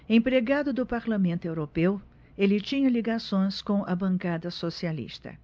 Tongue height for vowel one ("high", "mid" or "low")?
mid